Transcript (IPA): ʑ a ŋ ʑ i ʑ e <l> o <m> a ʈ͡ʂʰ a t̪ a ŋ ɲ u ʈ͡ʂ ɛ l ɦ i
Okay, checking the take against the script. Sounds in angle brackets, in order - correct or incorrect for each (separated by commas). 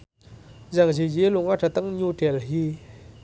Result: correct, incorrect